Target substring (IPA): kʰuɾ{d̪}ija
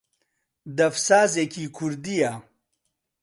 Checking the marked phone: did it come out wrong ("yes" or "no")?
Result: no